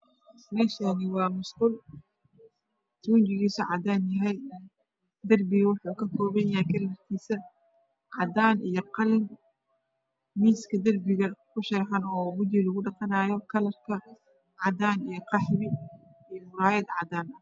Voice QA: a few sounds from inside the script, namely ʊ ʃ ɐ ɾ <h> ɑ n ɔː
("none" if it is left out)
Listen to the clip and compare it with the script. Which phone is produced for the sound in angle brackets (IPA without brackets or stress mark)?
ħ